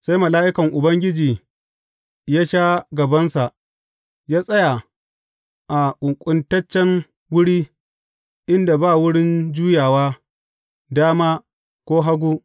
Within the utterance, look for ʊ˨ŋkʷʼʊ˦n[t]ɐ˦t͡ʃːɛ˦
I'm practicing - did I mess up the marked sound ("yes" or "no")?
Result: no